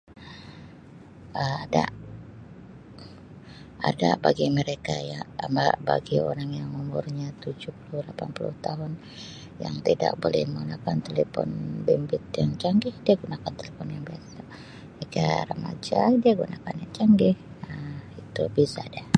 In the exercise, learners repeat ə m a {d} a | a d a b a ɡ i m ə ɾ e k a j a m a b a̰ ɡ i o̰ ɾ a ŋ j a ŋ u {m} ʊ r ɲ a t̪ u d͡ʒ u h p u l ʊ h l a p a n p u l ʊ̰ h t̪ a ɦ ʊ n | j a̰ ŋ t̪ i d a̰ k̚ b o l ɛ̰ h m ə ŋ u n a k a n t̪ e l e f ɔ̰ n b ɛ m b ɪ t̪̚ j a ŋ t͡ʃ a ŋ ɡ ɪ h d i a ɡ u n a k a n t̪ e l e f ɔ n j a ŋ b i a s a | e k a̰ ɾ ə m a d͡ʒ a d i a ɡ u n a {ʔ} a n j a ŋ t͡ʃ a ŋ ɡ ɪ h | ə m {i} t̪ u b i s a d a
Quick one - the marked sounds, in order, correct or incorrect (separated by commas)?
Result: correct, correct, incorrect, correct